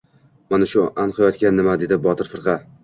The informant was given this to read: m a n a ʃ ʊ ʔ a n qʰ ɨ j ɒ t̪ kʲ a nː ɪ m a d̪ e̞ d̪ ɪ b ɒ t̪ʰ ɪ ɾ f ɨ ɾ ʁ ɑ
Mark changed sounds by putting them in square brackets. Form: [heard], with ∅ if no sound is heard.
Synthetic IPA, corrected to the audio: m a n a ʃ ʊ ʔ a n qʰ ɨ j ɒ t̪ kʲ a nː ɪ m a d̪ e̞ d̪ ɪ b ɒ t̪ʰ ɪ ɾ f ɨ ɾ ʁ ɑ